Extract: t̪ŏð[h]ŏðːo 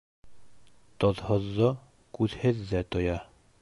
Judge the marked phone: correct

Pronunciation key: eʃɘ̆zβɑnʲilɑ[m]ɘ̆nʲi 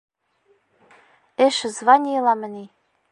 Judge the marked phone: correct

